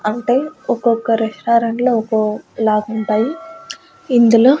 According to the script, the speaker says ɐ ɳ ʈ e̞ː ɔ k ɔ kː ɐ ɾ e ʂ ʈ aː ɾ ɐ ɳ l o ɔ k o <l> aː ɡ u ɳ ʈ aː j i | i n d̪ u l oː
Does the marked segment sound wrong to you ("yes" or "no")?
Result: no